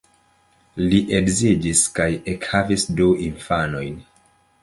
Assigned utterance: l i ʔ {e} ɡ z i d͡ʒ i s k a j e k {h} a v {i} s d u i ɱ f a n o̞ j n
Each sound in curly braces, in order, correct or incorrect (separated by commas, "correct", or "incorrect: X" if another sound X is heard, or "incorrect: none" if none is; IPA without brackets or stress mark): correct, correct, correct